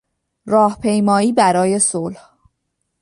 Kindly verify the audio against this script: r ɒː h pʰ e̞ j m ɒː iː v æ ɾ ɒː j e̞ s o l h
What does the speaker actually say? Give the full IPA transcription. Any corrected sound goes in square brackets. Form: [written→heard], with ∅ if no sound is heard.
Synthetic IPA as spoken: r ɒː h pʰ e̞ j m ɒː iː [v→b] æ ɾ ɒː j e̞ s o l h

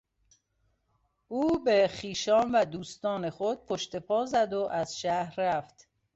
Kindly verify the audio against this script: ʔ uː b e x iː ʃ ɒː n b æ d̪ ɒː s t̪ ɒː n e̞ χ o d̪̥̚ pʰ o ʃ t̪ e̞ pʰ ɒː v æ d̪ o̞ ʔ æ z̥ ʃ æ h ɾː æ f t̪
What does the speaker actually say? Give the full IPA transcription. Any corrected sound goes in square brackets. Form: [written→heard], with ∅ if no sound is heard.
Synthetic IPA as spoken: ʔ uː b e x iː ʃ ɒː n [b→v] æ d̪ [ɒː→uː] s t̪ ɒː n e̞ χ o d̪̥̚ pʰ o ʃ t̪ e̞ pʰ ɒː [v→z] æ d̪ o̞ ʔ æ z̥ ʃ æ h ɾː æ f t̪

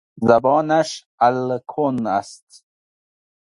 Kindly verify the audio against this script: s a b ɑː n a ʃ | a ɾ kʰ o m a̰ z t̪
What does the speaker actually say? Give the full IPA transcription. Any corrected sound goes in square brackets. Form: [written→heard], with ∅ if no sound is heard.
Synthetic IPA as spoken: [s→z] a b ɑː n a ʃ | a [ɾ→l] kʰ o [m→n] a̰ [z→s] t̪

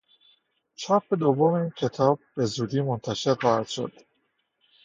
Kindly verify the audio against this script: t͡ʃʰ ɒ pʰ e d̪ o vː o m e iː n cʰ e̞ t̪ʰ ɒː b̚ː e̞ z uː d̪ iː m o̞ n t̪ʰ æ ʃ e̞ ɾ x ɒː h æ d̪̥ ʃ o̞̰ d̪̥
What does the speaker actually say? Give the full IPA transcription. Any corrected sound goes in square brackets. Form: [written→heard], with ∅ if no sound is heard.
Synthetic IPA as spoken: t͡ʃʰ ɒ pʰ e d̪ o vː o m e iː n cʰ e̞ t̪ʰ ɒː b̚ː e̞ z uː d̪ iː m o̞ n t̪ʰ æ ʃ e̞ ɾ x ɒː h æ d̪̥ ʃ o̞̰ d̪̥

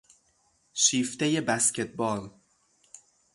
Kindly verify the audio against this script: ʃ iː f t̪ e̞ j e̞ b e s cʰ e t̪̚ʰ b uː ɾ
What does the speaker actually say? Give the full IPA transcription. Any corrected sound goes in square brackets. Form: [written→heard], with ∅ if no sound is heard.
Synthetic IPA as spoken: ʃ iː f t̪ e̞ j e̞ b [e→æ] s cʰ e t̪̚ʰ b [uː→ɒː] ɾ

